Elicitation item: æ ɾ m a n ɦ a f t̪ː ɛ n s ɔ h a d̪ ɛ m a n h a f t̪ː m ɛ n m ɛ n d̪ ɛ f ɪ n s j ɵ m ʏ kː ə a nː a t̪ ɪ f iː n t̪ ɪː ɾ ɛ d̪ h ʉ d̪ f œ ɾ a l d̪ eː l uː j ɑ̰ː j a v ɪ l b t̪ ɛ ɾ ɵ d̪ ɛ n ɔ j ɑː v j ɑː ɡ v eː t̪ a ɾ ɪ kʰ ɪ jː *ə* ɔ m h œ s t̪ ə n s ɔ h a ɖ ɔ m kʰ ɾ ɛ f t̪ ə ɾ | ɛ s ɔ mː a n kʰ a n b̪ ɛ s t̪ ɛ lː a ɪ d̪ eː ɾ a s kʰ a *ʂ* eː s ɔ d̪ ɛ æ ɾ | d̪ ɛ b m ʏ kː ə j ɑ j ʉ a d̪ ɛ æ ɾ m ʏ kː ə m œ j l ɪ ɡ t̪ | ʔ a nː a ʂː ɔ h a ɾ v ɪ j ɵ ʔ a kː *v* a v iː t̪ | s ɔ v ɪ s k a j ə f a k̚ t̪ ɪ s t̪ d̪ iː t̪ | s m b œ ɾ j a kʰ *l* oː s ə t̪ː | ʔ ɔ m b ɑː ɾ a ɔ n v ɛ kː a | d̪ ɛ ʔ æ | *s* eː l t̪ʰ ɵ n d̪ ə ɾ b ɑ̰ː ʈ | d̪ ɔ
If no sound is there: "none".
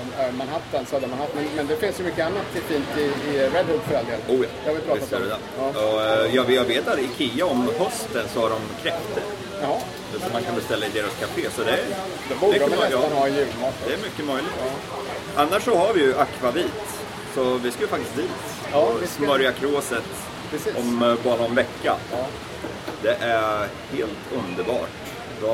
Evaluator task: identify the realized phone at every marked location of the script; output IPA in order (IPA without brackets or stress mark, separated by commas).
a, f, v, ɾ, h